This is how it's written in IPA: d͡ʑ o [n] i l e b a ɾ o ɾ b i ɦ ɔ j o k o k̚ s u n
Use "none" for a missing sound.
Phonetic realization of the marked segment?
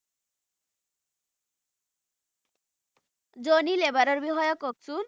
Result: n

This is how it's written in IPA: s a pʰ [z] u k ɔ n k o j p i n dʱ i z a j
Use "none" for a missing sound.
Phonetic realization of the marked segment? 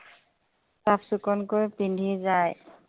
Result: s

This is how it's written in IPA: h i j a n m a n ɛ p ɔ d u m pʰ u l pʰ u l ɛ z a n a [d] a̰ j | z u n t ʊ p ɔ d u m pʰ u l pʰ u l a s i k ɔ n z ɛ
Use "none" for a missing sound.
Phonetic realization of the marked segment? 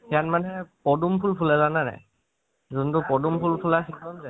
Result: n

